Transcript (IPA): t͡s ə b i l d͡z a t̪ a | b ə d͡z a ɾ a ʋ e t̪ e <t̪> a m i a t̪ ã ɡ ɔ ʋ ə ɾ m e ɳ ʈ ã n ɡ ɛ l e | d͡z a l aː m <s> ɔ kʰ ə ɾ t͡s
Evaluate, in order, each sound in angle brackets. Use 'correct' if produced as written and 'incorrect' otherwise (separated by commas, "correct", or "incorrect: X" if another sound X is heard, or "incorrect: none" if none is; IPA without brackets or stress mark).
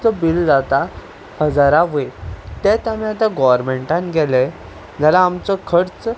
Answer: correct, incorrect: t͡s